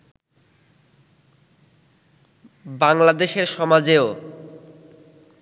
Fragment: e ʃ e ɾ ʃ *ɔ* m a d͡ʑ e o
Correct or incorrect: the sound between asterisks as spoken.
correct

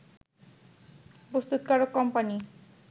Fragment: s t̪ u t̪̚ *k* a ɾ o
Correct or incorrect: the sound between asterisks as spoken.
correct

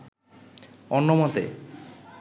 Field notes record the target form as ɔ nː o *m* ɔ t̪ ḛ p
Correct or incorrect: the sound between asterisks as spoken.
correct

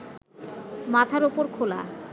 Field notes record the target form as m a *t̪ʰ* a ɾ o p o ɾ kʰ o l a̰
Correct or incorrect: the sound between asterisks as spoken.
correct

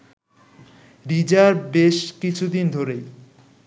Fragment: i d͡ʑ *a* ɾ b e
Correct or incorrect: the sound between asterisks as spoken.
correct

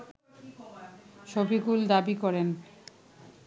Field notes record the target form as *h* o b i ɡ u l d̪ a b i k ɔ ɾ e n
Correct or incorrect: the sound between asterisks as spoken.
incorrect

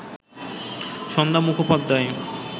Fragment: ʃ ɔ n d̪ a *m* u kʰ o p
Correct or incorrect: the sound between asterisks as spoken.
correct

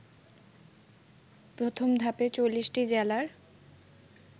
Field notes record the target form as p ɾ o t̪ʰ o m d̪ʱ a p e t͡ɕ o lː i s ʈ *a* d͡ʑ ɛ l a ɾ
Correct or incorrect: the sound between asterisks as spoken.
incorrect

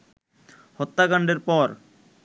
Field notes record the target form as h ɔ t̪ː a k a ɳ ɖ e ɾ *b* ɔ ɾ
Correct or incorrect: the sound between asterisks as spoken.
incorrect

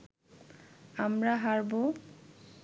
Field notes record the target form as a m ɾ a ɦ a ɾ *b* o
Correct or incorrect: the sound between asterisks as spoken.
correct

